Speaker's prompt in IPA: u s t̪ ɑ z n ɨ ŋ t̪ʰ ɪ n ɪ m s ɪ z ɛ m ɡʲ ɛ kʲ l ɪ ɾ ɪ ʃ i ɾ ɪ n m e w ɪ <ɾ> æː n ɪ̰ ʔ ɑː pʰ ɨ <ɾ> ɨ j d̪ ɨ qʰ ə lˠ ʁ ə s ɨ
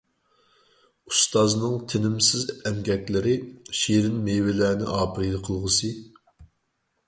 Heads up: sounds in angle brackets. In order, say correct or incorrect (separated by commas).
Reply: incorrect, correct